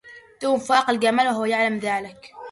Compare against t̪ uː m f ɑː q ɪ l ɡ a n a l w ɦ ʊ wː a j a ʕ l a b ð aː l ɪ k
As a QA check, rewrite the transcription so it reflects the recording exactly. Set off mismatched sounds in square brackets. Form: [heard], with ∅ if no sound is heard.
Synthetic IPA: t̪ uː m f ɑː q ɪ l ɡ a [m] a l w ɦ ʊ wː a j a ʕ l a [m] ð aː l ɪ k